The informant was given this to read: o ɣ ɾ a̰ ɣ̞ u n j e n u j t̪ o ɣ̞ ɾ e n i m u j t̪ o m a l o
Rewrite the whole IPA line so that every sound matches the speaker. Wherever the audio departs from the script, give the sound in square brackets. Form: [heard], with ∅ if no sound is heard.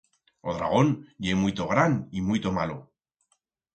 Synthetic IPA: o [ð] ɾ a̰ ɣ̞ [o] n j e [m] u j t̪ o ɣ̞ ɾ [a] n i m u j t̪ o m a l o